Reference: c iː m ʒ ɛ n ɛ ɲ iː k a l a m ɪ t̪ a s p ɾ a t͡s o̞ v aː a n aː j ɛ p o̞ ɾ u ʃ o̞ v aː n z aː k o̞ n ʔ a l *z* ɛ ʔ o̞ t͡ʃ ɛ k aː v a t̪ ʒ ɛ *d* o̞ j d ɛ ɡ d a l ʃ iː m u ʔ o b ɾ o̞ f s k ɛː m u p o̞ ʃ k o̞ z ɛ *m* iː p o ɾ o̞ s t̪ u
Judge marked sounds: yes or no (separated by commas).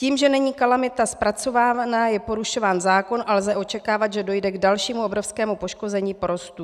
yes, yes, no